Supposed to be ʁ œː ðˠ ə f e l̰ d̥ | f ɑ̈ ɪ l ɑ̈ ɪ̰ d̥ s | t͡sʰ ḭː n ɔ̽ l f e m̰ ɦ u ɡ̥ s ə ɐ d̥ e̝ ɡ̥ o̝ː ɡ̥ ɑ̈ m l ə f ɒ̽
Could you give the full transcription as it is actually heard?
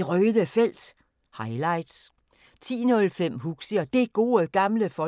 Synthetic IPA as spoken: ʁ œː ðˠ ə f e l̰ d̥ | h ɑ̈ ɪ l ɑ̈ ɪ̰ d̥ s | t͡sʰ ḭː n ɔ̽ l f e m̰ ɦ u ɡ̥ s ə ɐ d̥ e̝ ɡ̥ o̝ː ɡ̥ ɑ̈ m l ə f ɒ̽

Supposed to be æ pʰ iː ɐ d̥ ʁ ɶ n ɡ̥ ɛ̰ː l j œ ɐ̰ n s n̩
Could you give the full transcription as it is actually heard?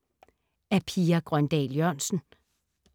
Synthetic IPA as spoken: æ pʰ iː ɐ ɡ̥ ʁ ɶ n d̥ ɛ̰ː l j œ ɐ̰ n s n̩

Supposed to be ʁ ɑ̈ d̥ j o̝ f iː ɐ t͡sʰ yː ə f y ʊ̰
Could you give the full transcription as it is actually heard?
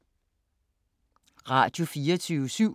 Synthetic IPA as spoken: ʁ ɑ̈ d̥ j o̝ f iː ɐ t͡sʰ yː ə s y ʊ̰

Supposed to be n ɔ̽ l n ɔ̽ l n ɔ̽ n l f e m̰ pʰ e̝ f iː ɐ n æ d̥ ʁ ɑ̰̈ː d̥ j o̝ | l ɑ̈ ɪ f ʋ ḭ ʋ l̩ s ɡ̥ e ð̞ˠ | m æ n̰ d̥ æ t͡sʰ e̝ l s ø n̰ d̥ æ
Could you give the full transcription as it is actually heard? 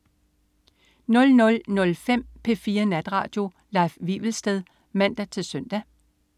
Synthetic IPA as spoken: n ɔ̽ l n ɔ̽ l n ɔ̽ l f e m̰ pʰ e̝ f iː ɐ n æ d̥ ʁ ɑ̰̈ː d̥ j o̝ | l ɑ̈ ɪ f ʋ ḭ ʋ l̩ s d̥ e ð̞ˠ | m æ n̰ d̥ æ t͡sʰ e̝ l s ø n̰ d̥ æ

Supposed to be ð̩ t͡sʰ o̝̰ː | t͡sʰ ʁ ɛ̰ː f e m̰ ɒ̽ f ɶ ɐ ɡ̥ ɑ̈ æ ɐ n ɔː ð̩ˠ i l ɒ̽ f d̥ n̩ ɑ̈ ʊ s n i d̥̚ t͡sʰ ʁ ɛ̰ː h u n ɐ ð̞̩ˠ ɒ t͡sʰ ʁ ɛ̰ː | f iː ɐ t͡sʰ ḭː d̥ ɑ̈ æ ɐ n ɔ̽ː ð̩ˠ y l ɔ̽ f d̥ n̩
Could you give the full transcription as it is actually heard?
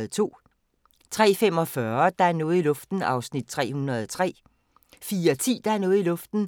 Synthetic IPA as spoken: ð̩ t͡sʰ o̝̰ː | t͡sʰ ʁ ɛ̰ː f e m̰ ɒ̽ f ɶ ɐ d̥ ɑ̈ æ ɐ n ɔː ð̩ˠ i l ɔ̽ f d̥ n̩ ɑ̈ ʊ s n i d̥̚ t͡sʰ ʁ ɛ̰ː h u n ɐ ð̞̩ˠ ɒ t͡sʰ ʁ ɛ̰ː | f iː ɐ t͡sʰ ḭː d̥ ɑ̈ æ ɐ n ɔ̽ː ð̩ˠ i l ɔ̽ f d̥ n̩

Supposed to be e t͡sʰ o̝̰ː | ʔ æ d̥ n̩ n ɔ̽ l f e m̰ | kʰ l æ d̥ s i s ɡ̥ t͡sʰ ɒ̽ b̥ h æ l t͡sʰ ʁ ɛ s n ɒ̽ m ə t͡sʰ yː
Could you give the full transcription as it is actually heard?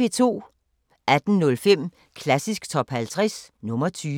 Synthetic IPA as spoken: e t͡sʰ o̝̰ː | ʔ æ d̥ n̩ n ɔ̽ l f e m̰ | kʰ l æ s i s ɡ̥ t͡sʰ ɒ̽ b̥ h æ l t͡sʰ ʁ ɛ s n ɔ̽ m ɐ t͡sʰ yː

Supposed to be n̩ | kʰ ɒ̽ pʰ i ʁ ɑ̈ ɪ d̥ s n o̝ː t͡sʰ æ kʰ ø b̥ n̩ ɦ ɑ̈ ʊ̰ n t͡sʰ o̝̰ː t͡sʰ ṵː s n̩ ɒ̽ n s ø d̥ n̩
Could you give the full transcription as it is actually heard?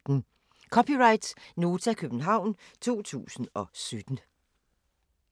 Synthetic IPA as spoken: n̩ | kʰ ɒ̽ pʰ i ʁ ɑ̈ ɪ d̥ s n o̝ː t͡sʰ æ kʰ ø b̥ n̩ ɦ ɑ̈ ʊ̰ n t͡sʰ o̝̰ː t͡sʰ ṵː s n̩ ɒ̽ s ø d̥ n̩

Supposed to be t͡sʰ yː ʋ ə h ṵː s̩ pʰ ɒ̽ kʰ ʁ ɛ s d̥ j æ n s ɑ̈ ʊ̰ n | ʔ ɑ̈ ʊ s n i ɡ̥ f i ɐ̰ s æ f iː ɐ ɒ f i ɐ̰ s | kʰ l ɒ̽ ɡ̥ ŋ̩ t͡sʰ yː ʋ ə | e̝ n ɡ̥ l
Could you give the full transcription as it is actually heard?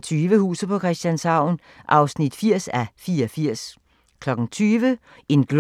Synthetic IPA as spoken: t͡sʰ yː ʋ ə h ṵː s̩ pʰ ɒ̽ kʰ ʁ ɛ s d̥ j æ n s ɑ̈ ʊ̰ n | ʔ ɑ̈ ʊ s n i d̥ f i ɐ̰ s æ f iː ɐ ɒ f i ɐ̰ s | kʰ l ɒ̽ ɡ̥ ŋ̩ t͡sʰ yː ʋ ə | e̝ n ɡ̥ l

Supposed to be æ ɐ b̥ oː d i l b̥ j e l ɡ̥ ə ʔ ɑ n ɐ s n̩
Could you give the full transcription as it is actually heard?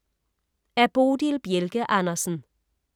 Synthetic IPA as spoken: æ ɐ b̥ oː d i l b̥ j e l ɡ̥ ə ʔ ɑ n ɐ s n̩

